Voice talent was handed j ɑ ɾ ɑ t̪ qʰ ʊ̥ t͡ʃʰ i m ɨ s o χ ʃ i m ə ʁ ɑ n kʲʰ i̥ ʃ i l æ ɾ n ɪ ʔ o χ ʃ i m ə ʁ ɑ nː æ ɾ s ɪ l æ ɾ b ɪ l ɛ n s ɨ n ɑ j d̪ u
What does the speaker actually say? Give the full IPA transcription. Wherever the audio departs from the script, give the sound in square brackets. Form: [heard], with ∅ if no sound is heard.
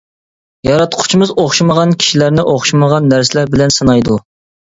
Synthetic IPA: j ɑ ɾ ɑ t̪ qʰ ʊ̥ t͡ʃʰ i m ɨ [z] o χ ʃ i m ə ʁ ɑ n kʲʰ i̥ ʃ i l æ ɾ n ɪ ʔ o χ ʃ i m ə ʁ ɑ nː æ ɾ s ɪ l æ ɾ b ɪ l ɛ n s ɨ n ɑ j d̪ u

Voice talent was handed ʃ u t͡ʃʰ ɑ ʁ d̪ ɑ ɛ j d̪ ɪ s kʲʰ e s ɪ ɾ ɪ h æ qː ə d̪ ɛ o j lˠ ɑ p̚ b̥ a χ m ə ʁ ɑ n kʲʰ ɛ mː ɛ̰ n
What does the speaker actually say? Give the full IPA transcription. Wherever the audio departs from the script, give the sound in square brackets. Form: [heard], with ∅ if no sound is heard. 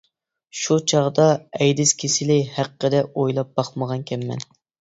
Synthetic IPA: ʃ u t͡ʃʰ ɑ ʁ d̪ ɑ ɛ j d̪ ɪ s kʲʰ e s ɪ [l] ɪ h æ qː ə d̪ ɛ o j lˠ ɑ p̚ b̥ [ɑ] χ m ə ʁ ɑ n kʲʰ ɛ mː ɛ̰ n

